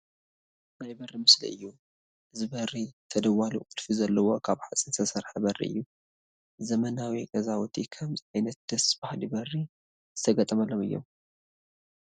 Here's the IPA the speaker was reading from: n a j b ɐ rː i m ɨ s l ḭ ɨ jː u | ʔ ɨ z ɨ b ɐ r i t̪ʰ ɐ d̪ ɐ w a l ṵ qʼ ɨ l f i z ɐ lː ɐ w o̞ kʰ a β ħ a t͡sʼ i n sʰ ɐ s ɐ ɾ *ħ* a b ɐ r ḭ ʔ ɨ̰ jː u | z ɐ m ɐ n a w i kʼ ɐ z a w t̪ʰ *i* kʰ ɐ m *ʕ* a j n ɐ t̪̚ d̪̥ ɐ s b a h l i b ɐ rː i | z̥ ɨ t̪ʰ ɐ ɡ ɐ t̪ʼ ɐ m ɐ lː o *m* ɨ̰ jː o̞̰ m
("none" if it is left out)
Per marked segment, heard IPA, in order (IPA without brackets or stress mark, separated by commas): ħ, i, z, m